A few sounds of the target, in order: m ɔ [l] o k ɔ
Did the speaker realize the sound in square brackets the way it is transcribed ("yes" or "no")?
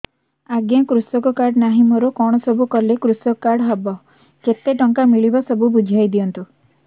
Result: no